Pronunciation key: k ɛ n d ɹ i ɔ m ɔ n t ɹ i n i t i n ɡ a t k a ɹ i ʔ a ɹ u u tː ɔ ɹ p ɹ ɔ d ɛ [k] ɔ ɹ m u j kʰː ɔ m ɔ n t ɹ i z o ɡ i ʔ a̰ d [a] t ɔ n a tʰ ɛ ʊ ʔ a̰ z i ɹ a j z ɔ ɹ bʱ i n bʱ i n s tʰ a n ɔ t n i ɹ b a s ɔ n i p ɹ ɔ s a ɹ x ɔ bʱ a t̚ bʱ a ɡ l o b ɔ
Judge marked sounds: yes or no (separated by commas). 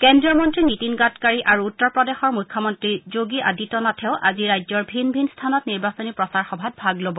no, no